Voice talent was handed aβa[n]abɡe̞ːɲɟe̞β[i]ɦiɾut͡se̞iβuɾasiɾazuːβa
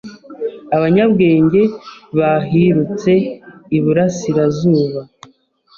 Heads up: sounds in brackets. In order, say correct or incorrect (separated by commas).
incorrect, incorrect